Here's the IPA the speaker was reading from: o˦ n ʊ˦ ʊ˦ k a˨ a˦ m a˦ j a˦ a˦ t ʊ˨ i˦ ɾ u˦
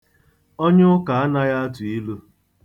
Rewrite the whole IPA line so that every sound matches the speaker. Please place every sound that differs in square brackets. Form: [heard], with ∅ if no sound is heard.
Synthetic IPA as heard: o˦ [ɲ] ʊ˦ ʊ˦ k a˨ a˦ [n] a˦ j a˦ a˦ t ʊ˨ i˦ [l] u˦

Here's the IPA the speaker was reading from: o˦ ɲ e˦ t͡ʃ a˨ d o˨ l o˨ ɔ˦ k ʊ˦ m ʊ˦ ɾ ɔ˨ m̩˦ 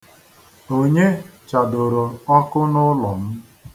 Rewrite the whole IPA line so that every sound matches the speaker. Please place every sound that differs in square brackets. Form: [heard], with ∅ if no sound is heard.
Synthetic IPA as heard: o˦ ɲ e˦ t͡ʃ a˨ d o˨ [ɾ] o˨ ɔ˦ k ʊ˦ [n] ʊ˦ [l] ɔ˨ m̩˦

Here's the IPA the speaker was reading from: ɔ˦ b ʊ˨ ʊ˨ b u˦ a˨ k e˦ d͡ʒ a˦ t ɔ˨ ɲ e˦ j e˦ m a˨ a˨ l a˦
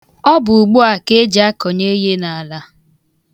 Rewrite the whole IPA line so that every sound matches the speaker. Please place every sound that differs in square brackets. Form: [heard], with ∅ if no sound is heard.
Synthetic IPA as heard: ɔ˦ b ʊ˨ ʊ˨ [ɡ͡b] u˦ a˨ k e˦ d͡ʒ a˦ [k] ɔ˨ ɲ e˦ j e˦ [n] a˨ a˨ l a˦

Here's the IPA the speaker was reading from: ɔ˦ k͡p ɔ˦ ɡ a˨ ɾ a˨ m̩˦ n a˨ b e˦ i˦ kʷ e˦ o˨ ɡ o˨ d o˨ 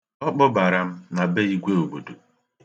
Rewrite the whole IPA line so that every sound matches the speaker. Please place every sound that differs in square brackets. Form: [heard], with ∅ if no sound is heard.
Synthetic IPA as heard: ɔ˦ k͡p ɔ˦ [b] a˨ ɾ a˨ m̩˦ n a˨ b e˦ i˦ [ɡʷ] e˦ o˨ [b] o˨ d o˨

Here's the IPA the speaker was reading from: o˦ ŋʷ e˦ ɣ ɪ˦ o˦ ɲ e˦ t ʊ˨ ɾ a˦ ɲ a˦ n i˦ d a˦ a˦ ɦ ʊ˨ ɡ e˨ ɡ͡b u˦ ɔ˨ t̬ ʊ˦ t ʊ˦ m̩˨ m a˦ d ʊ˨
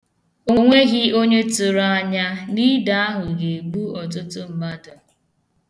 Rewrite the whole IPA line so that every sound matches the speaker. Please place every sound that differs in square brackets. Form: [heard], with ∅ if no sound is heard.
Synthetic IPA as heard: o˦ ŋʷ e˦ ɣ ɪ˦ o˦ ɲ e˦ t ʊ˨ ɾ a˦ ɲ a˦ n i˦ d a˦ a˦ ɦ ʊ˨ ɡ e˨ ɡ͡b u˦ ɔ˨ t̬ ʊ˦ t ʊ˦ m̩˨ m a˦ d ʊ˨

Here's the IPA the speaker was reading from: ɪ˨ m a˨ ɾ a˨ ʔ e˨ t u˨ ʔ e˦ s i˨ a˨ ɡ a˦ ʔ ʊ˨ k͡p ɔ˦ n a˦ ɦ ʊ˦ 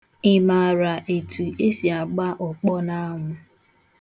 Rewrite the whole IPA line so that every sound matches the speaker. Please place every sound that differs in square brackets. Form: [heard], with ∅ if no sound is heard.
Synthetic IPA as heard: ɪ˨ m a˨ ɾ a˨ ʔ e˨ t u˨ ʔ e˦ s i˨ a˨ [ɡ͡b] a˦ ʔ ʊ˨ k͡p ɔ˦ n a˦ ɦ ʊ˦

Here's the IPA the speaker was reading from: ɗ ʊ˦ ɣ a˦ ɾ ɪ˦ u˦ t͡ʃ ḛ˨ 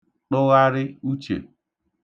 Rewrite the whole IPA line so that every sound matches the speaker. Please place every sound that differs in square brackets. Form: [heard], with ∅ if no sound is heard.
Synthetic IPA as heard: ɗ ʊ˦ ɣ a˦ ɾ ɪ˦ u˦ t͡ʃ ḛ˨

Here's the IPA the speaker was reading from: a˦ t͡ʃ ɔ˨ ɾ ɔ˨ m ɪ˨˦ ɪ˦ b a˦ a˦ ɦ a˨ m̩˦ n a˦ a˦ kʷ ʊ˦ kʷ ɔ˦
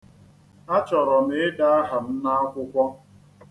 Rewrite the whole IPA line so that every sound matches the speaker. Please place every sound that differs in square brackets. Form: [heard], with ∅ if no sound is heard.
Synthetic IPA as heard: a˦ t͡ʃ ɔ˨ ɾ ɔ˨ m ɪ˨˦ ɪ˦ [d] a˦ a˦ ɦ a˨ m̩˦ n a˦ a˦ kʷ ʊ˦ kʷ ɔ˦

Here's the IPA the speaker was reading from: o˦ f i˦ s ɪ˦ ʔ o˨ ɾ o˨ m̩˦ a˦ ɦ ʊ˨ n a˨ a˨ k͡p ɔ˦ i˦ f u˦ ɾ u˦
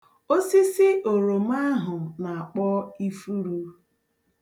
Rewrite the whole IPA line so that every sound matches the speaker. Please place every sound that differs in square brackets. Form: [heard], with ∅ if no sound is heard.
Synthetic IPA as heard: o˦ [s] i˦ s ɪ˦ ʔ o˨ ɾ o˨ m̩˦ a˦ ɦ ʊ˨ n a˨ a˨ k͡p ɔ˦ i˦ f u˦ ɾ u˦

